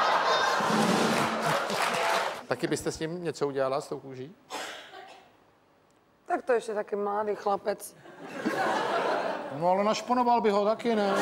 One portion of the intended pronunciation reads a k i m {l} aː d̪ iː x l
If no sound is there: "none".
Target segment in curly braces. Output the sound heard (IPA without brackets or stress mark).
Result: l